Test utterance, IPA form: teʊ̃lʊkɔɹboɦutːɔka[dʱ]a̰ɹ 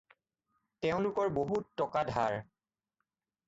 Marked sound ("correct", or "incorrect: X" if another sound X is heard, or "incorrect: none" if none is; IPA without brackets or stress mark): correct